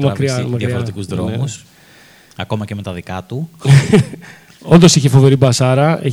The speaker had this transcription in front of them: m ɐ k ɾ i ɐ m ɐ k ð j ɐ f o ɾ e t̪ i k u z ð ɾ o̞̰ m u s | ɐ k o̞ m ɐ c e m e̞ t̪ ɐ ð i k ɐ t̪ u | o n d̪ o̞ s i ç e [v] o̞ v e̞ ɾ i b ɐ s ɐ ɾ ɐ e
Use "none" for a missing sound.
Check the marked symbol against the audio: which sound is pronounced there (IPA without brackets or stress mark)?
f